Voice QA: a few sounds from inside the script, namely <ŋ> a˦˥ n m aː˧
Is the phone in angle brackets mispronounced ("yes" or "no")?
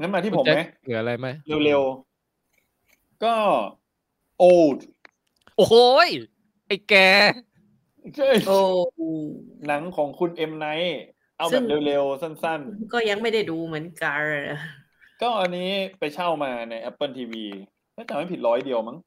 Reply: no